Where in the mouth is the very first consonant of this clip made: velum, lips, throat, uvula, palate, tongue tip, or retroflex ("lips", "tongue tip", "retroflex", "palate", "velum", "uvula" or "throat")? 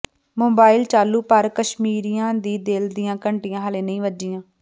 lips